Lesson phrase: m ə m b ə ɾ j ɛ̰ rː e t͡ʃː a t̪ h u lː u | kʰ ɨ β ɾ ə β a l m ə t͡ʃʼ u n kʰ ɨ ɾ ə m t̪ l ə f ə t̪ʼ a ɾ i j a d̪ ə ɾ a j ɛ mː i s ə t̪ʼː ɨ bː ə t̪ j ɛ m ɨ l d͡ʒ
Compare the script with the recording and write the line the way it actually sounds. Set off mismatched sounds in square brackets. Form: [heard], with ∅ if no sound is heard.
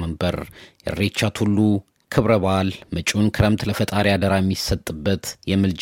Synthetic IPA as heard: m ə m b ə ɾ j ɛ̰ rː e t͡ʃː a t̪ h u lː u | kʰ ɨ β ɾ ə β a l m ə t͡ʃʼ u n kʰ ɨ ɾ ə m t̪ l ə f ə t̪ʼ a ɾ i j a d̪ ə ɾ a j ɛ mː i s ə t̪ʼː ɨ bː ə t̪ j ɛ m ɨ l d͡ʒ